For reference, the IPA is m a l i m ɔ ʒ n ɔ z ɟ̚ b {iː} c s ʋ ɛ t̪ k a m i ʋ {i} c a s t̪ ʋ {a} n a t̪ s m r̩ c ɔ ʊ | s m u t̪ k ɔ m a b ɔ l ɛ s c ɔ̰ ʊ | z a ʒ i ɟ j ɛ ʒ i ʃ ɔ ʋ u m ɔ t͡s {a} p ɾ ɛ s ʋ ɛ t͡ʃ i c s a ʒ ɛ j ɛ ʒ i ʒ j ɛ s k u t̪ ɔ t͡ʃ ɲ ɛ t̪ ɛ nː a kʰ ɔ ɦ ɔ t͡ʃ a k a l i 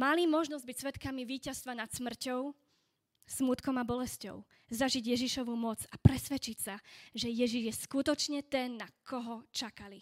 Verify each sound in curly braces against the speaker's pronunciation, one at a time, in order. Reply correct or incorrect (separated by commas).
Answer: incorrect, incorrect, correct, correct